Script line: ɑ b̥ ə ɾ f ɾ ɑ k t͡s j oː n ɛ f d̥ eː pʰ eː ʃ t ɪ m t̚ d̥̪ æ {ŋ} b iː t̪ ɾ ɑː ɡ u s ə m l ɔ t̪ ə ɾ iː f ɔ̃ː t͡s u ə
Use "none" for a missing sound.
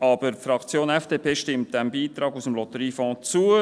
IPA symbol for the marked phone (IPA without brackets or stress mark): m